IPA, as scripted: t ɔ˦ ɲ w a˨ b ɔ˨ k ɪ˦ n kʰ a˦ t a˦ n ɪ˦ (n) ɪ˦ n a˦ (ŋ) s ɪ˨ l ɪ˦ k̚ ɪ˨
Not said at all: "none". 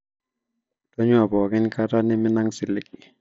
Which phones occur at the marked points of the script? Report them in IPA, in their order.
m, ŋ

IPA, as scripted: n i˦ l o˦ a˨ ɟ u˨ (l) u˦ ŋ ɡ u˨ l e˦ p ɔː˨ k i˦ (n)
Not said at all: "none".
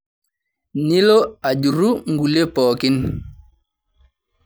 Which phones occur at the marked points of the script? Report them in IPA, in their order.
ɾ, n

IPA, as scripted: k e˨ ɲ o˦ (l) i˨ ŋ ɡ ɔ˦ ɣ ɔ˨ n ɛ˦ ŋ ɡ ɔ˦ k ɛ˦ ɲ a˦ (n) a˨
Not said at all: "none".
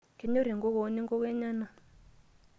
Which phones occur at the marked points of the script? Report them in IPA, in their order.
ɾ, n

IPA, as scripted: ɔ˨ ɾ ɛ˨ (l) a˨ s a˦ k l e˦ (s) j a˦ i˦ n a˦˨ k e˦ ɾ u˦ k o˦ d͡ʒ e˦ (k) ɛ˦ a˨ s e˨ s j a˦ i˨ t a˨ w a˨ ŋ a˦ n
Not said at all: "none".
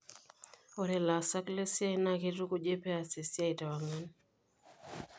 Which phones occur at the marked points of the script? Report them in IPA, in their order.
l, s, p

